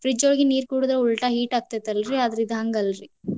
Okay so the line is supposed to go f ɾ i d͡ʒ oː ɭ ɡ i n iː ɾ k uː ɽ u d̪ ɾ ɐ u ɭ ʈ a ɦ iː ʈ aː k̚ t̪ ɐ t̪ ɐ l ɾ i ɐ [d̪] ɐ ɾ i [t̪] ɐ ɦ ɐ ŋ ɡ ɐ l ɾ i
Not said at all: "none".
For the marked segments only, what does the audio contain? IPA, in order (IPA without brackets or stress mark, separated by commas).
d̪, d̪